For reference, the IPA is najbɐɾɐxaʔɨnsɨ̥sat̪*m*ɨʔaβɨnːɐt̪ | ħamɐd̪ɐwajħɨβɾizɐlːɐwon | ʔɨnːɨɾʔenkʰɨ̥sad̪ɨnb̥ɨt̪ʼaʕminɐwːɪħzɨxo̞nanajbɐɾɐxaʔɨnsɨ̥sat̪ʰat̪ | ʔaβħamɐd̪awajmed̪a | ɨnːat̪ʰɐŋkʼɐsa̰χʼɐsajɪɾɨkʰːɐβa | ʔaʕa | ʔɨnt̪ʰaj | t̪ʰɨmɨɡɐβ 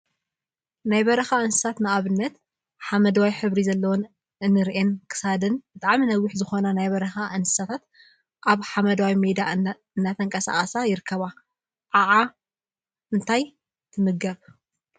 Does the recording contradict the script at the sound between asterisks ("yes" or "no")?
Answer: yes